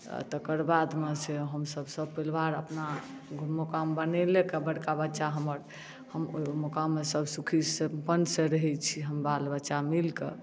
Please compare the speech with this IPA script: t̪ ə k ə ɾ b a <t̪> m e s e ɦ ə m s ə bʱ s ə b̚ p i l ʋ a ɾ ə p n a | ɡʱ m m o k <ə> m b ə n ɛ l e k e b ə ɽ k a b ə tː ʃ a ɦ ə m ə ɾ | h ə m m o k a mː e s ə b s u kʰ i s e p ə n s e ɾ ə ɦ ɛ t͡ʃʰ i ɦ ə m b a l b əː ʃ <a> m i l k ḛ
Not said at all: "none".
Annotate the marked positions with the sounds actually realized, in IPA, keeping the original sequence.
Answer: d̪, a, a

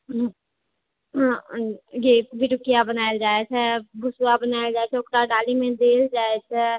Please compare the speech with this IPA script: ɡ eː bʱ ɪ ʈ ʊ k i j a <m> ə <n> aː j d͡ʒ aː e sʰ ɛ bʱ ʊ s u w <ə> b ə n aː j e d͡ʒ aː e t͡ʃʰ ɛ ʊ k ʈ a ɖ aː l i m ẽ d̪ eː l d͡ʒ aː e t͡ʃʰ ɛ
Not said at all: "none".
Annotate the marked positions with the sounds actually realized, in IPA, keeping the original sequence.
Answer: b, n, a

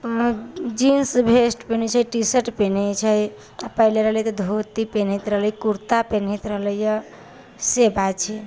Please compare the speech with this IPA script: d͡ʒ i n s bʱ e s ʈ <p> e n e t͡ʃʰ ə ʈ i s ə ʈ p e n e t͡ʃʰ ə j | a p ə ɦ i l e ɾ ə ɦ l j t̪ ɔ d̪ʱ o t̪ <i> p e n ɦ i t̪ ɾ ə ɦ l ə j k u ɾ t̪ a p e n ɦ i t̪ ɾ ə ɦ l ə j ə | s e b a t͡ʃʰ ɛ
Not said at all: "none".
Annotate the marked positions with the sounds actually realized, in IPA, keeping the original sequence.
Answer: p, i

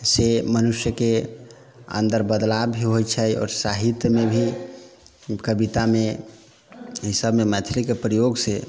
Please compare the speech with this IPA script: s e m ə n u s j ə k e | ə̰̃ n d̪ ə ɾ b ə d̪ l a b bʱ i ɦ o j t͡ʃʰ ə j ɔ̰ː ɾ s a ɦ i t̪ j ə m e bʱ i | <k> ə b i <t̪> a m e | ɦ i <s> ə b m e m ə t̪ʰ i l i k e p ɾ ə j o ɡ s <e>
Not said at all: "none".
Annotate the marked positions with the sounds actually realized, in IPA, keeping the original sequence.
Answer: k, t̪, s, e

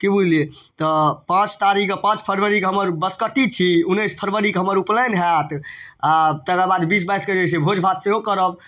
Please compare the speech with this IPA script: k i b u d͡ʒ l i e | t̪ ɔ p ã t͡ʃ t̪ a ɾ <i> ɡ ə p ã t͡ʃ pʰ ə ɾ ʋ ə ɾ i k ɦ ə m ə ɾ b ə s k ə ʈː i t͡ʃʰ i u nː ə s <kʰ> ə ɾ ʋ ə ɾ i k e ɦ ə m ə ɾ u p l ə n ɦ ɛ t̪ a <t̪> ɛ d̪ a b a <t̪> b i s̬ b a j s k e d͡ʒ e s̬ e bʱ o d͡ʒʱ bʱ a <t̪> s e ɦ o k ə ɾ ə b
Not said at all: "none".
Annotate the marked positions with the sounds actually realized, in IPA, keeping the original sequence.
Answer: i, pʰ, t̪, d̪, t̪

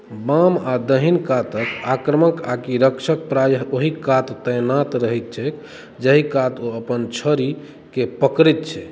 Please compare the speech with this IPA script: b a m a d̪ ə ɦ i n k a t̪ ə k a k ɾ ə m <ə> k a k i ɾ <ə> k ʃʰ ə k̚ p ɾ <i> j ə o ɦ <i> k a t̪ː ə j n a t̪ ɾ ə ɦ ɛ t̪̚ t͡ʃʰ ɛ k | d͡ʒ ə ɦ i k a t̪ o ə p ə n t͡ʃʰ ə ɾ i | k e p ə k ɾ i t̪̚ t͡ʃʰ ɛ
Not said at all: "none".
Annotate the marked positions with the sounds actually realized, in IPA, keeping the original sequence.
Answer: ə, ə, a, i

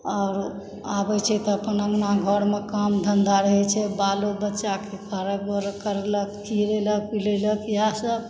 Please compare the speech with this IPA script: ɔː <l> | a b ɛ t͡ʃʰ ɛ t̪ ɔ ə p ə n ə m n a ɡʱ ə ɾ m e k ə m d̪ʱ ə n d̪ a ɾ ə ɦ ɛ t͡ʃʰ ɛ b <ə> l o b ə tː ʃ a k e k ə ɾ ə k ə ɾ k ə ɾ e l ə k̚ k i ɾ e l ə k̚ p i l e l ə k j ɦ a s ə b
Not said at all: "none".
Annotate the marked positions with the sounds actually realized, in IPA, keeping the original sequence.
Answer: ɾ, a

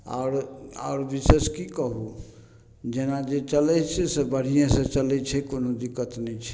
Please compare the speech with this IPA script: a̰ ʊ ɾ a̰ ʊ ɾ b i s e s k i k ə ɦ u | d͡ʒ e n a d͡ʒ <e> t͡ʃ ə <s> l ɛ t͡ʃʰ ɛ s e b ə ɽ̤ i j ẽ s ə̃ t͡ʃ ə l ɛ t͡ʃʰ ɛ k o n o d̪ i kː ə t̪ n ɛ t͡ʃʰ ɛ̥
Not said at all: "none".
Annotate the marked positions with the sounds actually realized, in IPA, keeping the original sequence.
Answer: e, none

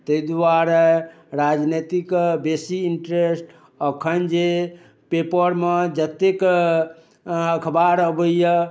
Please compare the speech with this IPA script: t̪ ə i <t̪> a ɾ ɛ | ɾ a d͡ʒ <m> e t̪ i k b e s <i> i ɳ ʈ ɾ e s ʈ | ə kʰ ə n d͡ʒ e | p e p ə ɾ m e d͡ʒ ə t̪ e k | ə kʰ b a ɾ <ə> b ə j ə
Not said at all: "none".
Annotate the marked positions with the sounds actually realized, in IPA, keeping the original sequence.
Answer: d̪, n, i, ə

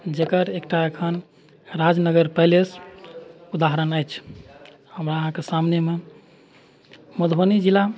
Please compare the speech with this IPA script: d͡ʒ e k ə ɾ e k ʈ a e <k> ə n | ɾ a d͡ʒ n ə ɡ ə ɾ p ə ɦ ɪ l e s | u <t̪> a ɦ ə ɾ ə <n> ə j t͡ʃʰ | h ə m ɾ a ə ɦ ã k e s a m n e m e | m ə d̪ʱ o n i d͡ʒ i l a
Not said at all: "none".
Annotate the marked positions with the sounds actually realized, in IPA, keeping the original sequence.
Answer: kʰ, d̪, n

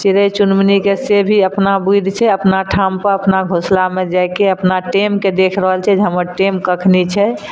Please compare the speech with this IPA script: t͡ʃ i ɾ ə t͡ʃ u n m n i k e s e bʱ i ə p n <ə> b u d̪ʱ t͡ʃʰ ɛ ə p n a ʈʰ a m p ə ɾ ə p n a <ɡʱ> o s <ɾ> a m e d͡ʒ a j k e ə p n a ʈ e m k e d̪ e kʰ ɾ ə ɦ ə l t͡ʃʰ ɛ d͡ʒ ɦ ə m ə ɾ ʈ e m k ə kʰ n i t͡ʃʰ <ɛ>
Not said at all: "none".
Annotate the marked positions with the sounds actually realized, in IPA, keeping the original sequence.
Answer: a, ɡʱ, l, ɛ

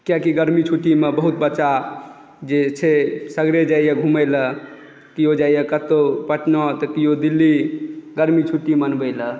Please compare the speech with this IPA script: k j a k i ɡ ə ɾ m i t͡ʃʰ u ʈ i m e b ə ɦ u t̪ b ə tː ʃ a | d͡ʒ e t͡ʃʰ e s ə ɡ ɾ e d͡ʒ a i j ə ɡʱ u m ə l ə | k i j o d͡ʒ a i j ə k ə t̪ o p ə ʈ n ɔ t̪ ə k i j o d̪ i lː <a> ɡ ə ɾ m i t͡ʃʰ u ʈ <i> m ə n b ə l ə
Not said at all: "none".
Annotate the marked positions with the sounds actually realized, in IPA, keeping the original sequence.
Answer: i, i

